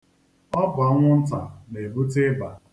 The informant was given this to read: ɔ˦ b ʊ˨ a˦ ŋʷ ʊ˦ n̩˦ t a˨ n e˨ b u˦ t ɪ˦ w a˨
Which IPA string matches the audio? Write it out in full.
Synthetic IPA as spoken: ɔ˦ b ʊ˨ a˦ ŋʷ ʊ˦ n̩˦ t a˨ n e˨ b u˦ t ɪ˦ b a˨